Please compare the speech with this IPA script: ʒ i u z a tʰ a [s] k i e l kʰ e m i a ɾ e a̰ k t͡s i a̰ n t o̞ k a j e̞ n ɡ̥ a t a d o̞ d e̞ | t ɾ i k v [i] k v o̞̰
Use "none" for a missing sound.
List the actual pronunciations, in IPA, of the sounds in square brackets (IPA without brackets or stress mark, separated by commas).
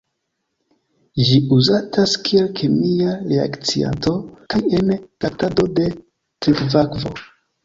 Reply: s, a